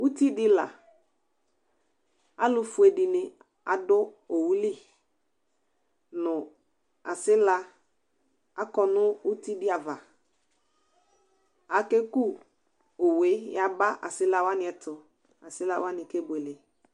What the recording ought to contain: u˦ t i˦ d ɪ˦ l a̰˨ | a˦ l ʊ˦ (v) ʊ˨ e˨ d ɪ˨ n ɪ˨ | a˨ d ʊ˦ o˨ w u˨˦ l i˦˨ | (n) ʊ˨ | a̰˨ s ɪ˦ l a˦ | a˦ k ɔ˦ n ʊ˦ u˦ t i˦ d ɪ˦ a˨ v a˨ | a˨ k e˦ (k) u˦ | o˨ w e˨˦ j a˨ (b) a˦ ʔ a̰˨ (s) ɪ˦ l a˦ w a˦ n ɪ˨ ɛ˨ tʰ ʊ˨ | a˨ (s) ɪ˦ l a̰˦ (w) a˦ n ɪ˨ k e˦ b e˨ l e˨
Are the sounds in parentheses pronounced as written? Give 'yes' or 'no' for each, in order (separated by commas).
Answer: no, yes, yes, yes, yes, yes, yes